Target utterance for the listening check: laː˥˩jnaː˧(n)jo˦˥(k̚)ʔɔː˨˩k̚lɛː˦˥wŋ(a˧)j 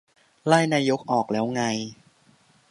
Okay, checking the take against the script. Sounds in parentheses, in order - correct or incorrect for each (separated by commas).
incorrect, correct, correct